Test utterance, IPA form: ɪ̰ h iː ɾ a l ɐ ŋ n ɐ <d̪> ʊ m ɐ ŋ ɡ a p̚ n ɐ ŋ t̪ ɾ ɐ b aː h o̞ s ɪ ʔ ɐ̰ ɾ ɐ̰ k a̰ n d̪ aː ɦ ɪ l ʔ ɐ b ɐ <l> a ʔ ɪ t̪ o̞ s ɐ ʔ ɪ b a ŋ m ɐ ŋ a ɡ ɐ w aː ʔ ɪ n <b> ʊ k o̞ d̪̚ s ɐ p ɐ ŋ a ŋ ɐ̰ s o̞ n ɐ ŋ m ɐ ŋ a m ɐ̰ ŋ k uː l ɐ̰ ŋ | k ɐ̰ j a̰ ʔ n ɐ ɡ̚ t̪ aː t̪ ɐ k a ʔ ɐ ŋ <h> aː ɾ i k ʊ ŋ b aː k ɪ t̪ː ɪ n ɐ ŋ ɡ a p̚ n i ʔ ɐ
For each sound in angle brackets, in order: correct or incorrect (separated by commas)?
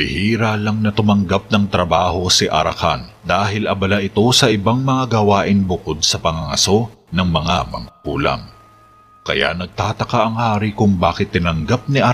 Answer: incorrect, correct, correct, correct